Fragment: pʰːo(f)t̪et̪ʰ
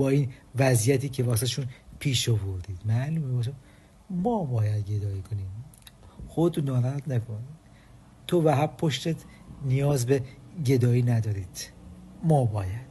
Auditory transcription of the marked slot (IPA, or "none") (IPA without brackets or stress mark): ʃ